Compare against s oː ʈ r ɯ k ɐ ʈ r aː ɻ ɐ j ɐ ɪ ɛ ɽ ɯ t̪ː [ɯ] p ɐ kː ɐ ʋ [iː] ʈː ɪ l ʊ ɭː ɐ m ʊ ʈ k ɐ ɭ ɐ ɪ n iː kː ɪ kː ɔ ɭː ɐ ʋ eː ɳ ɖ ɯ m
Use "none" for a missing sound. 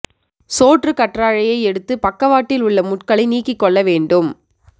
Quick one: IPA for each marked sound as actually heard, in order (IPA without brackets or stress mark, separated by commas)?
ɯ, aː